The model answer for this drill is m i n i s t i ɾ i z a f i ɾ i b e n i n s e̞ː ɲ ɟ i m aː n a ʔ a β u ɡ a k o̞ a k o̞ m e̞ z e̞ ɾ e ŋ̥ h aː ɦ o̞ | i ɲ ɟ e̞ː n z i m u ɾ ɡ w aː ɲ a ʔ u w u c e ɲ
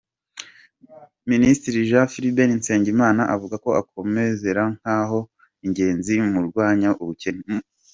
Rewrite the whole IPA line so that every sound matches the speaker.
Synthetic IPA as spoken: m i n i s t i ɾ i ʒ a f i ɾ i b e n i n s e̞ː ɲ ɟ i m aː n a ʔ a v u ɡ a k o̞ a k o̞ m e̞ z e̞ ɾ a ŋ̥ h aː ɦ o̞ | i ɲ ɟ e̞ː n z i m u ɾ ɡ w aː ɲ a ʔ u β u c e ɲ